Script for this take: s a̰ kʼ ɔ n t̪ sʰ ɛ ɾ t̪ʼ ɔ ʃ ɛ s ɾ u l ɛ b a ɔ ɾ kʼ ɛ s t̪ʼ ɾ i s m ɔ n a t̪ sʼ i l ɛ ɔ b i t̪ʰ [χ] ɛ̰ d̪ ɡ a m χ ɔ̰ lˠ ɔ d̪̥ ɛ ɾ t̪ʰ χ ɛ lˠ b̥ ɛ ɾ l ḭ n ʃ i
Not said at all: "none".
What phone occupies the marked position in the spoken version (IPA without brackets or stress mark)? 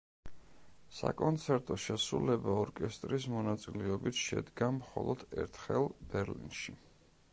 ʃ